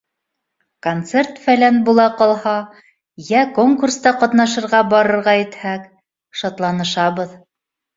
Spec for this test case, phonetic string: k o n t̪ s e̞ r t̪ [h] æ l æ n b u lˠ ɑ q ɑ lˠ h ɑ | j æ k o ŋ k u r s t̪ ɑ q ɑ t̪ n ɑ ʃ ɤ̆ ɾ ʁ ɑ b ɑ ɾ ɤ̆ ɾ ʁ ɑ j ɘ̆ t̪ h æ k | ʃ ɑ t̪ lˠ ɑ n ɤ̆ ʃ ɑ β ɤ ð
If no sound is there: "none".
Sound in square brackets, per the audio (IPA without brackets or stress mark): f